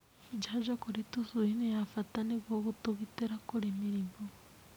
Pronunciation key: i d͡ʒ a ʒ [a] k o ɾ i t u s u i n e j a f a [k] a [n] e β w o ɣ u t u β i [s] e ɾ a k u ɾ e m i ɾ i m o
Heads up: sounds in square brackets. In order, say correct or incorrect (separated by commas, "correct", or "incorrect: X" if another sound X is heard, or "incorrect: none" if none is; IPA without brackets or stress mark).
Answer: correct, incorrect: t, correct, incorrect: t